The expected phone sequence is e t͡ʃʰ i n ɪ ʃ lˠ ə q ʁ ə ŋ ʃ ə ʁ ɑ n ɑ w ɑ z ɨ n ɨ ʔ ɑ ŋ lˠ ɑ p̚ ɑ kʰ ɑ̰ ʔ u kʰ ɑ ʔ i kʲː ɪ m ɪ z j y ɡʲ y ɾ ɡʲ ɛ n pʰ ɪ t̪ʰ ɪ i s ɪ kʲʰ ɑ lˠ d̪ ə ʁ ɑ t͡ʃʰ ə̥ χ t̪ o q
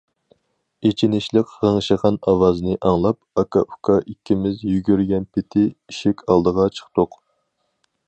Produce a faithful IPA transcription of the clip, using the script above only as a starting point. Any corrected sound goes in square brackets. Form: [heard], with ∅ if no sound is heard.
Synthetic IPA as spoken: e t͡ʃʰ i n ɪ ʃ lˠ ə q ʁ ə ŋ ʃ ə ʁ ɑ n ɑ w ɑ z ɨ n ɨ ʔ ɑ ŋ lˠ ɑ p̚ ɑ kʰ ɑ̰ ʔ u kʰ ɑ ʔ i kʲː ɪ m ɪ z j y ɡʲ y ɾ ɡʲ ɛ n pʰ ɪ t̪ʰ ɪ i [ʃ] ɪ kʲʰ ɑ lˠ d̪ ə ʁ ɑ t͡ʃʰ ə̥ χ t̪ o q